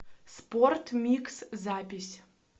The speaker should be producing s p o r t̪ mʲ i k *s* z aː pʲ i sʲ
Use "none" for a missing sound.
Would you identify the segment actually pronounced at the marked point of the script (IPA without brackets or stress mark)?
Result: s